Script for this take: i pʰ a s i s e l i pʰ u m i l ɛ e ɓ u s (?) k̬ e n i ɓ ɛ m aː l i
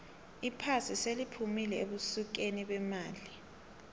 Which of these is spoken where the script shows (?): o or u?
u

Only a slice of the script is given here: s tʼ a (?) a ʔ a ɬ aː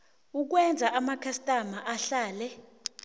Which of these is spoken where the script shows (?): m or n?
m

